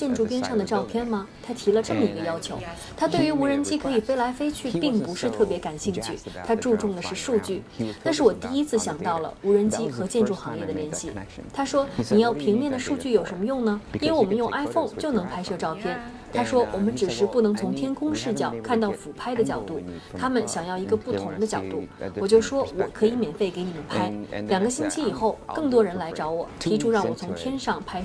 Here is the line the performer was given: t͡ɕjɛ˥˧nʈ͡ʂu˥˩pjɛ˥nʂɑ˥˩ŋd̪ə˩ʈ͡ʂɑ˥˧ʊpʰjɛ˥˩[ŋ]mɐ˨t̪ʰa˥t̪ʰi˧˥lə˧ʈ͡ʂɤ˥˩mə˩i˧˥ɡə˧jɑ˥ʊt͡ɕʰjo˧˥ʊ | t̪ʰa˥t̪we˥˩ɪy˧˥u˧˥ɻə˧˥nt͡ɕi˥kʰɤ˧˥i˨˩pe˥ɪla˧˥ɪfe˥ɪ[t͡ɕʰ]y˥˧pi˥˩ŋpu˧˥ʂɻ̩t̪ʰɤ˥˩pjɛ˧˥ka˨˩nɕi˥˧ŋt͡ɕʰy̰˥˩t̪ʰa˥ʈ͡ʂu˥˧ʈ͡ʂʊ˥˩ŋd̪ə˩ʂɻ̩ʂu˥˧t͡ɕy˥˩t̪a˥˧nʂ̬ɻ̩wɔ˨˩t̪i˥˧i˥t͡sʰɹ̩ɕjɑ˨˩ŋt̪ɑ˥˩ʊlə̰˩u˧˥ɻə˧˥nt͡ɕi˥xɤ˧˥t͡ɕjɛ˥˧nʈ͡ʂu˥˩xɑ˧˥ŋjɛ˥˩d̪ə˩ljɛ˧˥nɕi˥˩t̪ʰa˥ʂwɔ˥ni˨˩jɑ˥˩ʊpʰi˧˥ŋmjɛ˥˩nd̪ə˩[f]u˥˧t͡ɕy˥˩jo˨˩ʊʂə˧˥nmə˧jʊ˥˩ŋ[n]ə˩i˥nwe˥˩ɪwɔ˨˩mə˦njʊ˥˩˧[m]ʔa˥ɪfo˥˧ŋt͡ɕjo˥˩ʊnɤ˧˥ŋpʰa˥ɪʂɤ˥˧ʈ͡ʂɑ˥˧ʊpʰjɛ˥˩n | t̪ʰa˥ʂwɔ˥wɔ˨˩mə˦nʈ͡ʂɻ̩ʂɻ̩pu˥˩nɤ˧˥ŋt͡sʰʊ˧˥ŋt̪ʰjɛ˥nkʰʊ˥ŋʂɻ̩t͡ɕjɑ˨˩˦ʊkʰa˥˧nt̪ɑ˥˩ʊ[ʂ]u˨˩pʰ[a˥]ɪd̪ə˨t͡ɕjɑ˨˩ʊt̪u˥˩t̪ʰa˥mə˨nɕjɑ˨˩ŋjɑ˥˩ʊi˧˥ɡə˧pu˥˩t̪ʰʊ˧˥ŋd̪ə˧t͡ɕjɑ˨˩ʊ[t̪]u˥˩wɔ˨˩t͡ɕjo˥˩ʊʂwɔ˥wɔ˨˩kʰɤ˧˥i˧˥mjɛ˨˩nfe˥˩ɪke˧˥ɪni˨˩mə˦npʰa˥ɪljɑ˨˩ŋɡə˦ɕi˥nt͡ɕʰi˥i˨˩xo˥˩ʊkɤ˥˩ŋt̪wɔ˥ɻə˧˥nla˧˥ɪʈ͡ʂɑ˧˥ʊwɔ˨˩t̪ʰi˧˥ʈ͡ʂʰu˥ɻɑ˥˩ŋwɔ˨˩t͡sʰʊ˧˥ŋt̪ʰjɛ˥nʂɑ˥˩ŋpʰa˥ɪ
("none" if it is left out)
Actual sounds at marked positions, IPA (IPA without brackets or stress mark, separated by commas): n, t͡ɕʰ, ʂ, n, ŋ, f, a˥, t̪